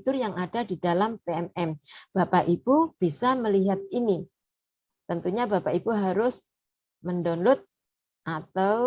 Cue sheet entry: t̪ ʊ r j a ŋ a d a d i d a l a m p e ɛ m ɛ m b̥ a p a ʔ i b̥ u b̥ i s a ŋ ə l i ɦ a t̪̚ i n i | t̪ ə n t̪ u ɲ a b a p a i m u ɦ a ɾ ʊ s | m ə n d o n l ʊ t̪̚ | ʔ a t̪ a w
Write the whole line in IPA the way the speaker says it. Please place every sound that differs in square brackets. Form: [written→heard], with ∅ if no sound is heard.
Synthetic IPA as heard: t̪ ʊ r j a ŋ a d a d i d a l a m p e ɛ m ɛ m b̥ a p a ʔ i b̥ u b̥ i s a [ŋ→m] ə l i ɦ a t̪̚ i n i | t̪ ə n t̪ u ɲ a b a p a i [m→b] u ɦ a ɾ ʊ s | m ə n d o n l ʊ t̪̚ | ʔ a t̪ a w

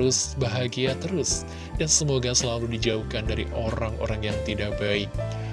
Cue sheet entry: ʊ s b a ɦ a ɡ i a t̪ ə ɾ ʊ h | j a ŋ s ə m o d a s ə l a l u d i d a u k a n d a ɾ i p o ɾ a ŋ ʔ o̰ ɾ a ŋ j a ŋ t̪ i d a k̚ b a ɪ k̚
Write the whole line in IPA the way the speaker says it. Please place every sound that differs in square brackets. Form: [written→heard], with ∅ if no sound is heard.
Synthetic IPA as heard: ʊ s b a ɦ a ɡ i a t̪ ə ɾ ʊ [h→s] | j a ŋ s ə m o [d→ɡ] a s ə l a l u d i [d→d͡ʒ] a u k a n d a ɾ i [p→ʔ] o ɾ a ŋ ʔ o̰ ɾ a ŋ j a ŋ t̪ i d a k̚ b a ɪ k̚

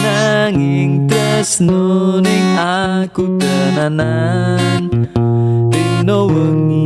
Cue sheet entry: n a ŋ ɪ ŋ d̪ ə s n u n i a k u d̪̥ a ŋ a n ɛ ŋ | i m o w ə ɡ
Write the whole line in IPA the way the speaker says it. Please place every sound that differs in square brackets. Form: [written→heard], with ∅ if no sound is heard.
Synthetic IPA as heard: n a ŋ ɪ ŋ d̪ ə s n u n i a k u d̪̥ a [ŋ→n] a n [ɛ→a] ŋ | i [m→n] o w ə [ɡ→ŋ]

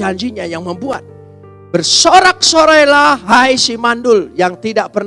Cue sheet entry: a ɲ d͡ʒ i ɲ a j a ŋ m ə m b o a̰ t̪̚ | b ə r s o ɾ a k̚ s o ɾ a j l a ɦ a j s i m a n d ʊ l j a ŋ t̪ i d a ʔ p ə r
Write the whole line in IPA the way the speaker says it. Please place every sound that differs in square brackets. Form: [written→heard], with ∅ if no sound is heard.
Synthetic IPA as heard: a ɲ d͡ʒ i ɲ a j a ŋ m ə m b [o→u] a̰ t̪̚ | b ə r s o ɾ a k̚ s o ɾ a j l a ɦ a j s i m a n d ʊ l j a ŋ t̪ i d a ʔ p ə r

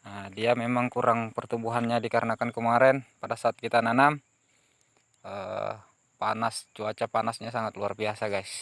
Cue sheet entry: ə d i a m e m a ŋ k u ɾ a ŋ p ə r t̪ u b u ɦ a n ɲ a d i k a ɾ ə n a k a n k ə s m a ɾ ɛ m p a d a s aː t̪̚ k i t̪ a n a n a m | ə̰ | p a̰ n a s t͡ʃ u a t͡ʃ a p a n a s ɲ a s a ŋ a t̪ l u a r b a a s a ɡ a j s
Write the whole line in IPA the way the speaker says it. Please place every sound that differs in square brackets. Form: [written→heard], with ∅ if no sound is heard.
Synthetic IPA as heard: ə d i a m e m a ŋ k u ɾ a ŋ p ə r t̪ u b u ɦ a n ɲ a d i k a ɾ ə n a k a n k ə [s→∅] m a ɾ ɛ [m→n] p a d a s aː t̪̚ k i t̪ a n a n a m | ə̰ | p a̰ n a s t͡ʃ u a t͡ʃ a p a n a s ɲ a s a ŋ a t̪ l u a r b [a→i] a s a ɡ a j s

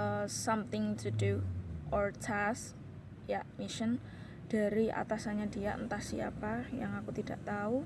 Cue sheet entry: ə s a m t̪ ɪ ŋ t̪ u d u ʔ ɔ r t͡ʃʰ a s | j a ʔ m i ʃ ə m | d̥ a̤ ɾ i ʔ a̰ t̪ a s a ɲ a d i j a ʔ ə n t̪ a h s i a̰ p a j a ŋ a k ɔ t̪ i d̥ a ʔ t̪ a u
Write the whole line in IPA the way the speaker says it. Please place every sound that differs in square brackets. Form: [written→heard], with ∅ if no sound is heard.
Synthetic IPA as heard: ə s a m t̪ ɪ ŋ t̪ u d u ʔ ɔ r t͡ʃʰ a s | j a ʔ m i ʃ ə [m→n] | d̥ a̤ ɾ i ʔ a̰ t̪ a s a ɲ a d i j a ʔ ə n t̪ a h s i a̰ p a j a ŋ a k [ɔ→u] t̪ i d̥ a ʔ t̪ a u

